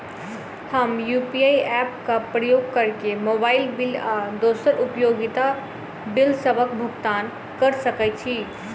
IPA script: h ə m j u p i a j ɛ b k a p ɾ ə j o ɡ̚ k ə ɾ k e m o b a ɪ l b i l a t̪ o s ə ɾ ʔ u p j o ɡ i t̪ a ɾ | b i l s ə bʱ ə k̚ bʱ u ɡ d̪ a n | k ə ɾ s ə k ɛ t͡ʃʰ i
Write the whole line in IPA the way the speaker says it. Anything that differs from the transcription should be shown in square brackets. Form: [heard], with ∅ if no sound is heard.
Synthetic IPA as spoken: h ə m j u p i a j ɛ [p] k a p ɾ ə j o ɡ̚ k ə ɾ k e m o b a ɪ l b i l a [d̪] o s ə ɾ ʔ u p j o ɡ i t̪ a [∅] | b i l s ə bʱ ə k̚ bʱ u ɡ [t̪] a n | k ə ɾ s ə k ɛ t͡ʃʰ i